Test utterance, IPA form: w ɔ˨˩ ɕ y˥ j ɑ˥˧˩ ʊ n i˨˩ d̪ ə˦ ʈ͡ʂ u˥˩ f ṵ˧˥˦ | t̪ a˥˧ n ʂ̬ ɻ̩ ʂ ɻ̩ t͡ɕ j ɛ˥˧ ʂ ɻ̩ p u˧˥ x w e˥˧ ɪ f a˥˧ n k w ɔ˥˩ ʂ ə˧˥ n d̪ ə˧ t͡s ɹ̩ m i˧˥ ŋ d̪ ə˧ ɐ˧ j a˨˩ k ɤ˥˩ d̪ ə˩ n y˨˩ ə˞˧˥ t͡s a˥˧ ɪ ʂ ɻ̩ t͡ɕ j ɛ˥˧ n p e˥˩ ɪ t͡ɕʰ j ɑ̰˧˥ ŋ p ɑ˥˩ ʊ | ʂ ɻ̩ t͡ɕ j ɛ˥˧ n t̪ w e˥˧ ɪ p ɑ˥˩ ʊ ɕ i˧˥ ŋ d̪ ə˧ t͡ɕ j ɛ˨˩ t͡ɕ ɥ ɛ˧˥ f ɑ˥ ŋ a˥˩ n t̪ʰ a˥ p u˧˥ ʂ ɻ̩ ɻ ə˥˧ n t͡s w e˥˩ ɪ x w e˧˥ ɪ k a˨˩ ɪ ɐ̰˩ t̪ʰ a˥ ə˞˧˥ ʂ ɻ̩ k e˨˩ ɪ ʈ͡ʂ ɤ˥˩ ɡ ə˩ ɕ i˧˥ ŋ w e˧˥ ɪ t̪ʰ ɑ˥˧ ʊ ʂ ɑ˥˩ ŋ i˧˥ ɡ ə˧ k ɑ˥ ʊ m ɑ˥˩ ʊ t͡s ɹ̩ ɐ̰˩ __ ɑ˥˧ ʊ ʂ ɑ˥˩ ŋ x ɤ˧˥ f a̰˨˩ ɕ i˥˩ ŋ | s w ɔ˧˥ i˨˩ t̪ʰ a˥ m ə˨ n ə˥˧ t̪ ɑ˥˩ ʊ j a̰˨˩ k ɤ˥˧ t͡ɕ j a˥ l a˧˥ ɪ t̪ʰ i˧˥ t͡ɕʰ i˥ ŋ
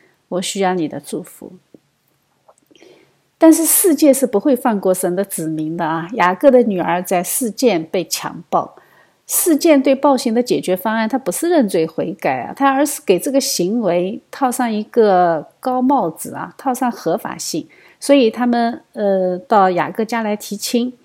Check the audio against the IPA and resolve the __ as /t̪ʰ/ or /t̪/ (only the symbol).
t̪ʰ